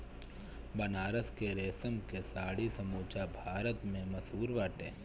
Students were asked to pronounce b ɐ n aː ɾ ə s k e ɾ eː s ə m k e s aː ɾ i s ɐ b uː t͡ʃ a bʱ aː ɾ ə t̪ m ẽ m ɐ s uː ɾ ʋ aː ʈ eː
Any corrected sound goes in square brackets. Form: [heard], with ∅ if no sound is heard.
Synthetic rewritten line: b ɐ n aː ɾ ə s k e ɾ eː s ə m k e s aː [ɽ] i s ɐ [m] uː t͡ʃ a bʱ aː ɾ ə t̪ m ẽ m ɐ s uː ɾ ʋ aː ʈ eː